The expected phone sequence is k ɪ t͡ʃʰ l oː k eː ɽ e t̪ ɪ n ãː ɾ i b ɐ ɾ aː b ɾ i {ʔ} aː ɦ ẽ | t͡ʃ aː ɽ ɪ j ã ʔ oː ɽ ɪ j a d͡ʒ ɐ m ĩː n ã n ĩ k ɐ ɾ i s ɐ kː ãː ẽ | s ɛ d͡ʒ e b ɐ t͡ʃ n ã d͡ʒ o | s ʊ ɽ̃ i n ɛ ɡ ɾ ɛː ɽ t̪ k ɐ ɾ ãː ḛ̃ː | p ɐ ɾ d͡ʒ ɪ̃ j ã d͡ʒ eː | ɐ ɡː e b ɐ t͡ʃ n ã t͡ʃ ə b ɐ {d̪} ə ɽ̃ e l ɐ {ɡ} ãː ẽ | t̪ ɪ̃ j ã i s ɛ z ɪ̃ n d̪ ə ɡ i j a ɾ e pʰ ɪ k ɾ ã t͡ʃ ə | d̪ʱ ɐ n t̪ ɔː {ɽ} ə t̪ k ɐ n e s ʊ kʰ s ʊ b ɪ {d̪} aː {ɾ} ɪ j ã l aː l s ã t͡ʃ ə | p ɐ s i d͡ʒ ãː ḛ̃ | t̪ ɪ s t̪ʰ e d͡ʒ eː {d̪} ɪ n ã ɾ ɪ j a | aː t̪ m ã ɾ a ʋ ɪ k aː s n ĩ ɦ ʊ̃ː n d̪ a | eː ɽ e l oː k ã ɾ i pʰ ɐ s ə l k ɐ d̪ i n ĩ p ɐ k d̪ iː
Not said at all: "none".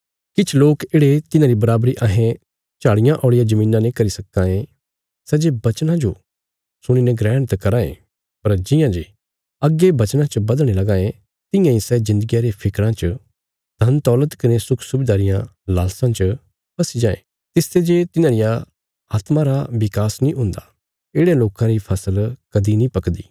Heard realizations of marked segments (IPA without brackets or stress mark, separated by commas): ʔ, d̪, ɡ, l, d̪, ɾ, t̪